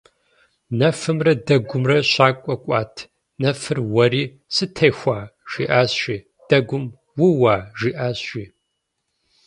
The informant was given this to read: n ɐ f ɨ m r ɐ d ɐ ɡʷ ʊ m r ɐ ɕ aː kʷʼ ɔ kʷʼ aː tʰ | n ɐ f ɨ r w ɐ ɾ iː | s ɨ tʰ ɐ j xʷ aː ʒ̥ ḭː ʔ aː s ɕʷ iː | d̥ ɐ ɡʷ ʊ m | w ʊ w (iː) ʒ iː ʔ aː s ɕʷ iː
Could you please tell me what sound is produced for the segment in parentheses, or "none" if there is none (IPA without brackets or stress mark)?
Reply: aː